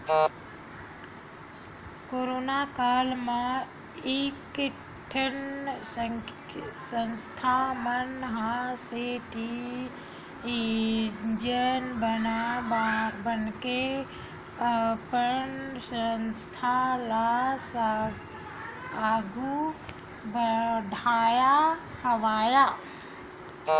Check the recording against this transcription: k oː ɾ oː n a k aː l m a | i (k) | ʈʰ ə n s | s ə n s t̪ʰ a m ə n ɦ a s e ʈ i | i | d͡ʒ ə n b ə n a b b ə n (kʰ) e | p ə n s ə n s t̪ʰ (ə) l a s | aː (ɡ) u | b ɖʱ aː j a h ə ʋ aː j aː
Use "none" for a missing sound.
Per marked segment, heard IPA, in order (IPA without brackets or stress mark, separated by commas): k, k, a, ɡ